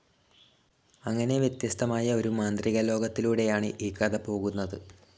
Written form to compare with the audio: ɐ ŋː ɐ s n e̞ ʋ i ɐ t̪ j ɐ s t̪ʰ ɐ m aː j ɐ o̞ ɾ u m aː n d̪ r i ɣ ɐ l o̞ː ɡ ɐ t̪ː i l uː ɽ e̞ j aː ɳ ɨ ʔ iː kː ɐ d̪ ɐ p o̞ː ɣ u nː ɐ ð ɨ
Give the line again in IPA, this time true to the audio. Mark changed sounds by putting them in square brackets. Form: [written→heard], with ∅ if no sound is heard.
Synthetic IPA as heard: ɐ ŋː ɐ [s→∅] n e̞ ʋ [i→j] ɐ t̪ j ɐ s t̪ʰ ɐ m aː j ɐ o̞ ɾ u m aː n d̪ r i ɣ ɐ l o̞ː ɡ ɐ t̪ː i l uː ɽ e̞ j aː ɳ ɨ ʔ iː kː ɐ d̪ ɐ p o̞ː ɣ u nː ɐ ð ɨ